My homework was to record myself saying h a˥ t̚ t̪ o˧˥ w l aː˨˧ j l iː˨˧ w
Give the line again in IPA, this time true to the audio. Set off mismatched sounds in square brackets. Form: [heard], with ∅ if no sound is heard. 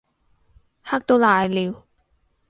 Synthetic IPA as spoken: h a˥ [k̚] t̪ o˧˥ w l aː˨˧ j l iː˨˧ w